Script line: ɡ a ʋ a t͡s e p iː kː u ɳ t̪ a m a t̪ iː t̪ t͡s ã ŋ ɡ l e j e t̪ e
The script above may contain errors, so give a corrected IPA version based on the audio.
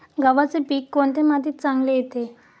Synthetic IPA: ɡ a ʋ a t͡s e p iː kː o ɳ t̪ e m a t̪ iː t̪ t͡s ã ŋ ɡ l e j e t̪ e